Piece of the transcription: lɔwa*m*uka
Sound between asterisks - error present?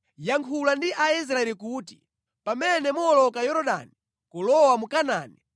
no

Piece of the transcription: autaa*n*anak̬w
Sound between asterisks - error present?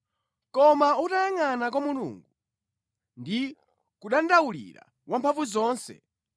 yes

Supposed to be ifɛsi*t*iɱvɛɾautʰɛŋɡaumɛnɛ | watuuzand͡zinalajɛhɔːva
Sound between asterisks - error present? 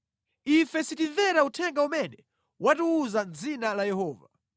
no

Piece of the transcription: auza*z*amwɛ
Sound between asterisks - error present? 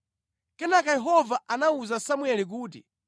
yes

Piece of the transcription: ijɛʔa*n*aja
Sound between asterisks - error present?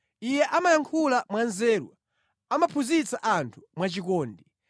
yes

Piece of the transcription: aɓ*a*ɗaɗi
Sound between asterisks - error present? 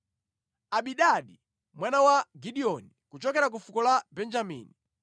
yes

